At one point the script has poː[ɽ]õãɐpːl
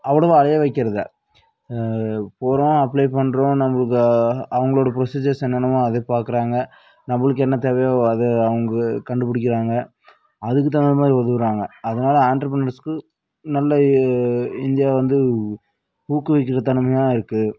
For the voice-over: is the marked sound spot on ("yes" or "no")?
no